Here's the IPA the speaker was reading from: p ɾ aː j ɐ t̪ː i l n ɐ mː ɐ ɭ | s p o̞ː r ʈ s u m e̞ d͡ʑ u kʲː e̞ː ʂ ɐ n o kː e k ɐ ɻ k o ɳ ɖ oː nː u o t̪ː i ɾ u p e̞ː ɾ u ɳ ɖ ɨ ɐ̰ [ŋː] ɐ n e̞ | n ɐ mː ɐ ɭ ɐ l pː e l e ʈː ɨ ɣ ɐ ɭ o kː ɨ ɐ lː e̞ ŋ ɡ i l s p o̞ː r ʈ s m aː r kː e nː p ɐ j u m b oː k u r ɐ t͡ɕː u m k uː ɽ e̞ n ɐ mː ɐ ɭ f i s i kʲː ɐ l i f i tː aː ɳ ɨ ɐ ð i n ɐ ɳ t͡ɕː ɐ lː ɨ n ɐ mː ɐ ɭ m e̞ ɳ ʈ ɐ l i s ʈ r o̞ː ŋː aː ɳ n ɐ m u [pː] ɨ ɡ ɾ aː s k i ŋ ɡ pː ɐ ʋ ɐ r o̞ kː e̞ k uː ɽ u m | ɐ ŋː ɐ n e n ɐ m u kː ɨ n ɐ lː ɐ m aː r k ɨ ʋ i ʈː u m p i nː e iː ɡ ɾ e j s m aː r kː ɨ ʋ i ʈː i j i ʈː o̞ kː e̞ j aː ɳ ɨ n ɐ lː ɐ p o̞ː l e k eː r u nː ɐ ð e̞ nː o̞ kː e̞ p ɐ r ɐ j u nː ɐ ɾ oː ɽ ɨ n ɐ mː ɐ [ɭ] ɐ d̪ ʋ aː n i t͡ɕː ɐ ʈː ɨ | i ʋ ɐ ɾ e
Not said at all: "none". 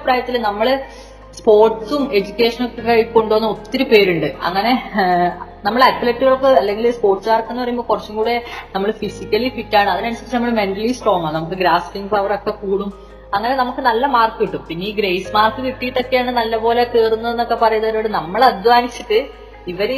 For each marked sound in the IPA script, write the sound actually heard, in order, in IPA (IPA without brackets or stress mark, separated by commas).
ŋː, kː, ɭ